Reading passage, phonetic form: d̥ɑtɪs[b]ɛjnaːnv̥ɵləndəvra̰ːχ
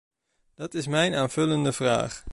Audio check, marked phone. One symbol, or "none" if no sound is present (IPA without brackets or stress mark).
m